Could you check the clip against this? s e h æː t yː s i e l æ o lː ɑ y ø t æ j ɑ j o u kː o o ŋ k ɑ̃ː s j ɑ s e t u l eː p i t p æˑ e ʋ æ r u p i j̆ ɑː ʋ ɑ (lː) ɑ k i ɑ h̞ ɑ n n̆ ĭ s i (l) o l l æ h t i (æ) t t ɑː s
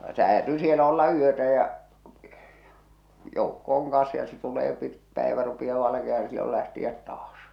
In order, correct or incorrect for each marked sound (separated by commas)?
incorrect, incorrect, correct